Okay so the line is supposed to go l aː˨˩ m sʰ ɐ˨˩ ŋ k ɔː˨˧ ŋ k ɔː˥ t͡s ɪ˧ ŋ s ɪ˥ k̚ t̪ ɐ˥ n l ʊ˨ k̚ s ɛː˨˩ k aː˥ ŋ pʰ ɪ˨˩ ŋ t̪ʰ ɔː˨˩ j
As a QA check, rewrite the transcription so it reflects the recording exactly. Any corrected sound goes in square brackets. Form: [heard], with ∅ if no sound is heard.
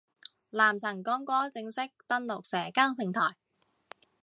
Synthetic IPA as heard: l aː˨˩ m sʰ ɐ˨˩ ŋ k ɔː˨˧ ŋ k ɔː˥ t͡s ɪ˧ ŋ s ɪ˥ k̚ t̪ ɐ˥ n l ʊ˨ k̚ s ɛː˨˩ k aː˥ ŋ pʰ ɪ˨˩ ŋ t̪ʰ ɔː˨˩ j

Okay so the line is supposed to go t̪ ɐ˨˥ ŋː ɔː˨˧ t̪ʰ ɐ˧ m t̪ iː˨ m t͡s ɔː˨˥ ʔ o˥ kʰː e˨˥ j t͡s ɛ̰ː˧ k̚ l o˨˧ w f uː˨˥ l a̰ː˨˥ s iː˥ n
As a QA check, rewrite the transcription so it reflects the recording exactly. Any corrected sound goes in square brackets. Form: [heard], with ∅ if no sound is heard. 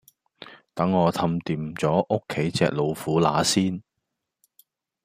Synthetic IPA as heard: t̪ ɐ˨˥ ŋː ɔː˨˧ t̪ʰ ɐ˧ m t̪ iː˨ m t͡s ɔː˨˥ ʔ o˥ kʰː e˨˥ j t͡s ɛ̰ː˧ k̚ l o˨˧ w f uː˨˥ l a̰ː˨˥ s iː˥ n

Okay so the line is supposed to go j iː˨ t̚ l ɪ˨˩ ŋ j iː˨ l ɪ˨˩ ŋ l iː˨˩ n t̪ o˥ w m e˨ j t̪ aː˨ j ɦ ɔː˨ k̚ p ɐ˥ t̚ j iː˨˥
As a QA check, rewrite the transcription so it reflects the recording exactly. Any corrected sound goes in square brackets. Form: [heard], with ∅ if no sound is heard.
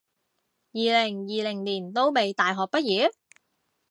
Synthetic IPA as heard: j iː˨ [∅] l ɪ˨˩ ŋ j iː˨ l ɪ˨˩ ŋ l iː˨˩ n t̪ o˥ w m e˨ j t̪ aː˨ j ɦ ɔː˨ k̚ p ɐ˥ t̚ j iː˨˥

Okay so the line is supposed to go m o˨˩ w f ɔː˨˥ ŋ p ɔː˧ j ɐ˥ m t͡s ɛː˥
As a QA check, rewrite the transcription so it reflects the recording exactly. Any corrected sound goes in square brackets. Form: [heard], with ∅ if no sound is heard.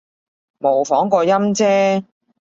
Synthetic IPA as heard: m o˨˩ w f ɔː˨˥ ŋ [k] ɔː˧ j ɐ˥ m t͡s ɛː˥

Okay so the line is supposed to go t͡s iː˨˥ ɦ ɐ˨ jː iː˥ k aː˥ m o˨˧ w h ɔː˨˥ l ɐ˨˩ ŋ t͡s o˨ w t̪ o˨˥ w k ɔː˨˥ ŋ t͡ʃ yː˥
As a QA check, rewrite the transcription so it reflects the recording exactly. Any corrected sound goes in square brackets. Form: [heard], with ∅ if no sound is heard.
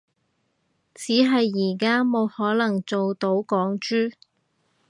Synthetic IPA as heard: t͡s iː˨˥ ɦ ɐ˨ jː [iː˨˩] k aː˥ m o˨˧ w h ɔː˨˥ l ɐ˨˩ ŋ t͡s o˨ w t̪ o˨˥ w k ɔː˨˥ ŋ t͡ʃ yː˥

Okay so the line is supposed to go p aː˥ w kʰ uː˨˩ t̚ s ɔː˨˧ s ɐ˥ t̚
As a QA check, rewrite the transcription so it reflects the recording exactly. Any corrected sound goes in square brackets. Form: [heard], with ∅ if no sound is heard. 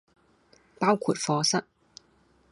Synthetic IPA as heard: p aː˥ w kʰ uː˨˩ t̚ [f] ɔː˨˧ s ɐ˥ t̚

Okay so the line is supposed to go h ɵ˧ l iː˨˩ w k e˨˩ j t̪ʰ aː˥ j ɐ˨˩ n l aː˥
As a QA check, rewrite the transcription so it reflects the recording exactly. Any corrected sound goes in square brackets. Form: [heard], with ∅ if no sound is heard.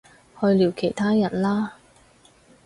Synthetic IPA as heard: h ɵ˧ l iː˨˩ w [kʰ] e˨˩ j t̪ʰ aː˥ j ɐ˨˩ n l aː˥

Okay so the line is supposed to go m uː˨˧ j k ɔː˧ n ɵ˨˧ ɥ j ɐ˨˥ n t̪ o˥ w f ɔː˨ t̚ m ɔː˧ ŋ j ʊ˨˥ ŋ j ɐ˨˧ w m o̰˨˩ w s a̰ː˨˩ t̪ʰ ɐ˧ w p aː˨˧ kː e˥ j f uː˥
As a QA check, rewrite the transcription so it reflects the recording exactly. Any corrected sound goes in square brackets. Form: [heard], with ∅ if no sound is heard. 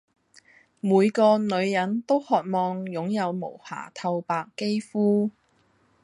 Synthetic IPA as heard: m uː˨˧ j k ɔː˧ n ɵ˨˧ ɥ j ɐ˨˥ n t̪ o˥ w [h] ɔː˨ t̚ m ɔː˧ ŋ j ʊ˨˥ ŋ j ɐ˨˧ w m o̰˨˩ w [h] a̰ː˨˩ t̪ʰ ɐ˧ w p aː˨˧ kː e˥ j f uː˥

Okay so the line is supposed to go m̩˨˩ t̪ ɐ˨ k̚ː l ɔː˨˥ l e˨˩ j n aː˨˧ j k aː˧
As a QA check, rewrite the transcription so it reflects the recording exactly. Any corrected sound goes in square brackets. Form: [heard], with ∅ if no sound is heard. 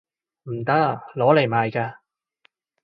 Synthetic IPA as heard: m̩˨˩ t̪ [ɐ˥] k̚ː l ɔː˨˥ l e˨˩ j [m] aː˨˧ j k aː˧

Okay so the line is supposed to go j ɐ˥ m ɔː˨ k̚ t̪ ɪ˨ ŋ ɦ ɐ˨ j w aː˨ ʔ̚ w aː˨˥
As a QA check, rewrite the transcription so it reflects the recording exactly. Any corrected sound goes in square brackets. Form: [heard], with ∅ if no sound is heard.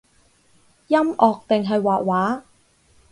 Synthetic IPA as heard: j ɐ˥ m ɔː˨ k̚ t̪ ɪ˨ ŋ ɦ ɐ˨ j w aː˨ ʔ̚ w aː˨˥

